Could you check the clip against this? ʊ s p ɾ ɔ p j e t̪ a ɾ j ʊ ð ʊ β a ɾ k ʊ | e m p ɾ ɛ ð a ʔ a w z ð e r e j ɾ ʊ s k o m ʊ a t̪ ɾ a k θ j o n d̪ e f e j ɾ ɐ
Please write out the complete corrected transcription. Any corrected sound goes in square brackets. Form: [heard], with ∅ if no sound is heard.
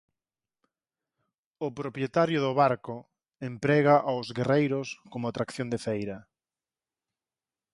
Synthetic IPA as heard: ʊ [∅] p ɾ [o] p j e t̪ a ɾ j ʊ ð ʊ β a ɾ k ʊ | e m p ɾ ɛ [ɣ] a ʔ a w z [ɣ] e r e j ɾ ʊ s k o m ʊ a t̪ ɾ a k θ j o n d̪ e f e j ɾ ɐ